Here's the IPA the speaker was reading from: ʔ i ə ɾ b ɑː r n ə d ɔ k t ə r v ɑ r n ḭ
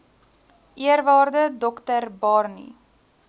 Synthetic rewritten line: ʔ i ə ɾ v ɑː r d ə d ɔ k t ə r b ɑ r n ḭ